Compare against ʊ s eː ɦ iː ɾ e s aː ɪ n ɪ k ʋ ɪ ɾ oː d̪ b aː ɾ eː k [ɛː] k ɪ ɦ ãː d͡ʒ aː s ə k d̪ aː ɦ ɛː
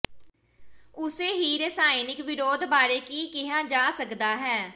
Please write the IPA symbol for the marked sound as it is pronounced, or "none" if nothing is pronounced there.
iː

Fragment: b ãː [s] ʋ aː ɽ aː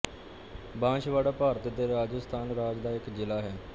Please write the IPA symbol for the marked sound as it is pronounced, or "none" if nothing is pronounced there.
ʃ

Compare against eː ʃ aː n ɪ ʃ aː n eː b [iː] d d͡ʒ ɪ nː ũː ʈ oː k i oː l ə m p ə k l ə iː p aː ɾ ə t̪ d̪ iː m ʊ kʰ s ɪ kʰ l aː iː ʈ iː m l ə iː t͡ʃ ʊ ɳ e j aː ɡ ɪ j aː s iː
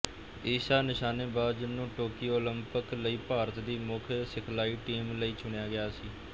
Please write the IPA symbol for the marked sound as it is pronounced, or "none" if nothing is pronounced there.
aː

